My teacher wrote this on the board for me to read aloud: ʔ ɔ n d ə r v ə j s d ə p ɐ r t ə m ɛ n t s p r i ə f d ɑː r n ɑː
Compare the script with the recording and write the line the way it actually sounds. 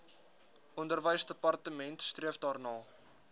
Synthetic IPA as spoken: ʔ ɔ n d ə r v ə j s d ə p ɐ r t ə m ɛ n t s t r i ə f d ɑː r n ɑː